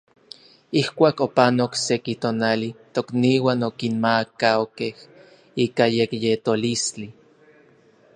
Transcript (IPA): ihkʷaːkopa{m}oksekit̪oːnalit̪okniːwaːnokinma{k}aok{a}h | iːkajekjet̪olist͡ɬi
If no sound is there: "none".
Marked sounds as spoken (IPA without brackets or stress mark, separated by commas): n, k, e